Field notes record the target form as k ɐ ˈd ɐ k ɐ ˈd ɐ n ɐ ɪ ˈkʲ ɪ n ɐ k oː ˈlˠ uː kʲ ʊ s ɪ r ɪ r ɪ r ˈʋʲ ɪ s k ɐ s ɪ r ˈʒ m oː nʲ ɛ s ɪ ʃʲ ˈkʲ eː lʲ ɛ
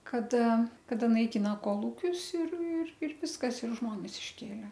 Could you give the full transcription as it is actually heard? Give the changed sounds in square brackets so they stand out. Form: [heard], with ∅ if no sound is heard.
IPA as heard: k ɐ ˈd ɐ k ɐ ˈd ɐ n ɐ ɪ ˈkʲ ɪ n ɐ k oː ˈlˠ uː kʲ ʊ s ɪ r ɪ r ɪ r ˈʋʲ ɪ s k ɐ s ɪ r ˈʒ m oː nʲ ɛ s ɪ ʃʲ ˈkʲ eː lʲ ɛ

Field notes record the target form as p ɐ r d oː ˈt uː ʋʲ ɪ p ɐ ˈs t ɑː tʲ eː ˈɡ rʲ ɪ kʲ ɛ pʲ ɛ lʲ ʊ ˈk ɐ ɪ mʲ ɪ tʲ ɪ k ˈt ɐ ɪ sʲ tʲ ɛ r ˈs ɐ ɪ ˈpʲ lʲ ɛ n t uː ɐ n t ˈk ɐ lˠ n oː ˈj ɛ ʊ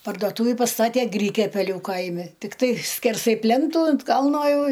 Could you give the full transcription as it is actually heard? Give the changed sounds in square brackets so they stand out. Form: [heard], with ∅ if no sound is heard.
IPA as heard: p ɐ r d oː ˈt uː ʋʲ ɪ p ɐ ˈs t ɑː tʲ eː ˈɡ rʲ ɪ kʲ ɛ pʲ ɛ lʲ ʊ ˈk ɐ ɪ mʲ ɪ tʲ ɪ k ˈt ɐ ɪ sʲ [kʲ] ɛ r ˈs ɐ ɪ ˈpʲ lʲ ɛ n t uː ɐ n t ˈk ɐ lˠ n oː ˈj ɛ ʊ

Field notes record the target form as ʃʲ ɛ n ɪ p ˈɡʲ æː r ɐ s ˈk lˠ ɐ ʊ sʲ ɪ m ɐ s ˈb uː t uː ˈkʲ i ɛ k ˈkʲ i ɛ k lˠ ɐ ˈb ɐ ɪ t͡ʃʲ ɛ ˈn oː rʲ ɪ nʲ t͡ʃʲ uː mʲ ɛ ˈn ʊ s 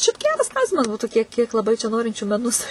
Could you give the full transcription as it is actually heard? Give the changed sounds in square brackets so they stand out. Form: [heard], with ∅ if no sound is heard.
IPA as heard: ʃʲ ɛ [∅] ɪ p ˈɡʲ æː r ɐ s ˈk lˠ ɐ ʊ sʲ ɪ m ɐ s ˈb uː t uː ˈkʲ i ɛ k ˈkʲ i ɛ k lˠ ɐ ˈb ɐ ɪ t͡ʃʲ ɛ ˈn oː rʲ ɪ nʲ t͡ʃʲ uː mʲ ɛ ˈn ʊ s

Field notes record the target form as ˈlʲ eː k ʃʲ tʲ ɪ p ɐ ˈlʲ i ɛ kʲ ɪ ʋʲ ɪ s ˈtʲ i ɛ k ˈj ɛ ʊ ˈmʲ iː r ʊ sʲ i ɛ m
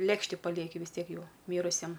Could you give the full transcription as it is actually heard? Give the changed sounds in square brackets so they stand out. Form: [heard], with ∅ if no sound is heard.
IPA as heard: ˈlʲ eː k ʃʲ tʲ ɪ p ɐ ˈlʲ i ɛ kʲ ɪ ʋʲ ɪ s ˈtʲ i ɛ k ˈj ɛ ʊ ˈmʲ iː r ʊ sʲ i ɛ m

